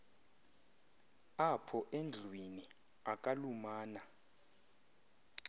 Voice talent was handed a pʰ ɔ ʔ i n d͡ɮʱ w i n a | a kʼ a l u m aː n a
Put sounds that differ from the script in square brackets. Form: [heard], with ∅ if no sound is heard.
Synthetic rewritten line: a pʰ ɔ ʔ [e] n d͡ɮʱ w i n [i] | a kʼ a l u m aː n a